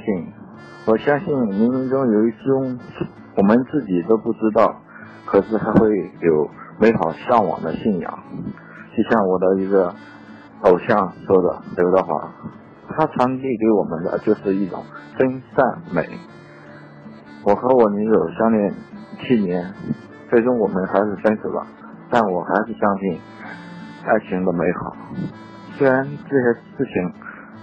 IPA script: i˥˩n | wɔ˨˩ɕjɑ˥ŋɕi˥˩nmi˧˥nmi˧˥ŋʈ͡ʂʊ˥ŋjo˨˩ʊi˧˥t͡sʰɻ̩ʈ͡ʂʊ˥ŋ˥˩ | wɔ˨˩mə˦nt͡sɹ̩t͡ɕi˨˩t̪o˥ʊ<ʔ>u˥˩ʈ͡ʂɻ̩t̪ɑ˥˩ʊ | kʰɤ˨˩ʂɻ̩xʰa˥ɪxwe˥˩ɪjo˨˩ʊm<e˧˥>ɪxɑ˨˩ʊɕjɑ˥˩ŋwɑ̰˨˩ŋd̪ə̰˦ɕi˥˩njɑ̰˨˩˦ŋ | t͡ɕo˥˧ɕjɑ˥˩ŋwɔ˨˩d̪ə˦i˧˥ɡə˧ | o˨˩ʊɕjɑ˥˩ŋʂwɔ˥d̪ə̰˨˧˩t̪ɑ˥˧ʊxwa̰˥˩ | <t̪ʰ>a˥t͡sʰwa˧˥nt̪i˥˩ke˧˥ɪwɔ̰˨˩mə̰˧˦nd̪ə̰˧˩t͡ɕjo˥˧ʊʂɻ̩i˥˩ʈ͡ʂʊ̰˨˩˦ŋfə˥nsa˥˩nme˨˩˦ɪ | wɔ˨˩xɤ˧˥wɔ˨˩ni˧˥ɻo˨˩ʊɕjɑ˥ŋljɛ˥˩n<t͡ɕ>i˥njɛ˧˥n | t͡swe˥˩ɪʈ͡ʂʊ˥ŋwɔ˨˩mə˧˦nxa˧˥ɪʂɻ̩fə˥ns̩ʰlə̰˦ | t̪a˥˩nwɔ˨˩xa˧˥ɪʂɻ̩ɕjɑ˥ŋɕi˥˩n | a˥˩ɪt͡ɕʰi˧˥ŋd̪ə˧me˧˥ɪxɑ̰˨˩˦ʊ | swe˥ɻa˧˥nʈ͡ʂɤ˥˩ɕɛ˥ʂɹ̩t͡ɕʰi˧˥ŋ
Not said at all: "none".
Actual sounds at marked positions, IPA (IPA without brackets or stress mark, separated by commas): p, e˧˥, t̪ʰ, t͡ɕʰ